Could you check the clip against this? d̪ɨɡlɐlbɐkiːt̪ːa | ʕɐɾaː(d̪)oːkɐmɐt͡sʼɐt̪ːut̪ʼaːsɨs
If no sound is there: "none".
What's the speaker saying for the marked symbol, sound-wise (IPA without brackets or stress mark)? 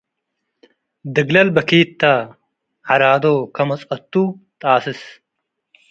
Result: d̪